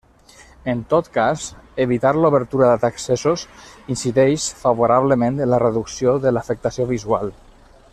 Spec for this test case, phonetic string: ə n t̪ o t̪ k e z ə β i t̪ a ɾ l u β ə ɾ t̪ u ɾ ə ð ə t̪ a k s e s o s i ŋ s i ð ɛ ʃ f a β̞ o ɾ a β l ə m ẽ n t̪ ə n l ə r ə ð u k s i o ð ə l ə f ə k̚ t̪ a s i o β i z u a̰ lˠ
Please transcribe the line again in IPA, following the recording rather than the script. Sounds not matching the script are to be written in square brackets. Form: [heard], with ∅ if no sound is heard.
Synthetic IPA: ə n t̪ o t̪ k [a] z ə β i t̪ a ɾ l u β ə ɾ t̪ u ɾ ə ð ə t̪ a k s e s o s i [n] s i ð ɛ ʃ f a β̞ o ɾ a β l ə m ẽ n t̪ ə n l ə r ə ð u k s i o ð ə l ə f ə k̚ t̪ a s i o β i z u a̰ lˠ